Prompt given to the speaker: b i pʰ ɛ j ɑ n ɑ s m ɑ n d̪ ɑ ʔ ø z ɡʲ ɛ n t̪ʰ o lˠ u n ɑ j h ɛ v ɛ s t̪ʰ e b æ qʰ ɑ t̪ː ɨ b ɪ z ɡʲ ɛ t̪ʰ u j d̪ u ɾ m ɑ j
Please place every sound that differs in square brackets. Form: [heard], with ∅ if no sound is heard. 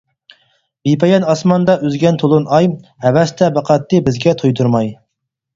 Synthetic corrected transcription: b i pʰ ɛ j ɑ n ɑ s m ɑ n d̪ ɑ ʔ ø z ɡʲ ɛ n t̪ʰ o lˠ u n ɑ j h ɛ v ɛ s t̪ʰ [ɛ] b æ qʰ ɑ t̪ː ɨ b ɪ z ɡʲ ɛ t̪ʰ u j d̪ u ɾ m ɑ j